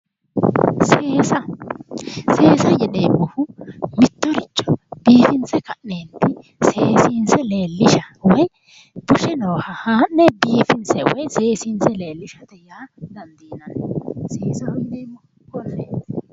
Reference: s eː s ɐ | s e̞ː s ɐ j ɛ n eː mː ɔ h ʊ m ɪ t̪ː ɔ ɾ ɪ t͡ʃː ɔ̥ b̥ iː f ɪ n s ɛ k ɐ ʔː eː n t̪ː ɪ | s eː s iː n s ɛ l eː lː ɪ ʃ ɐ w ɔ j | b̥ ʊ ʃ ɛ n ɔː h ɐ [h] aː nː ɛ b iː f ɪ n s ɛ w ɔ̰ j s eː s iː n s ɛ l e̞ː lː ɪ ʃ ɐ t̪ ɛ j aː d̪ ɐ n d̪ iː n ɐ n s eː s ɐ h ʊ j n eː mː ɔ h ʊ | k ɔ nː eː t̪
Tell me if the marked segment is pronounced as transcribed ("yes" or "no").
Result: yes